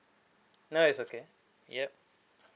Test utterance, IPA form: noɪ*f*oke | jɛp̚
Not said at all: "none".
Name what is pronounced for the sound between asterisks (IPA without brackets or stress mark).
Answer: s